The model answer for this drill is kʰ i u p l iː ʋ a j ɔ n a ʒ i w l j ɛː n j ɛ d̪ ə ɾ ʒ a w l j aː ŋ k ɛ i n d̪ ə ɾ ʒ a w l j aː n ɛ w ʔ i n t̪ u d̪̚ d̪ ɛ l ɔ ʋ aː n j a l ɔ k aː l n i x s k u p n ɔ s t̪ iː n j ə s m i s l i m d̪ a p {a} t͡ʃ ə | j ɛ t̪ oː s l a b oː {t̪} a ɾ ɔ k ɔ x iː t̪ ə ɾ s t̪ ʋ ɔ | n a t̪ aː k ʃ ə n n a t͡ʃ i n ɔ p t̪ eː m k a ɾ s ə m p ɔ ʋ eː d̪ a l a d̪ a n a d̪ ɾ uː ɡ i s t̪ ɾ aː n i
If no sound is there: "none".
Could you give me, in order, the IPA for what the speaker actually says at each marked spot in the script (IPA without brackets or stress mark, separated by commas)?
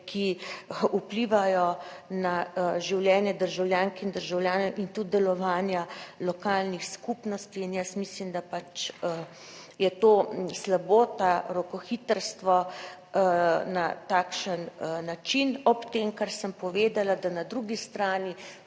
a, t̪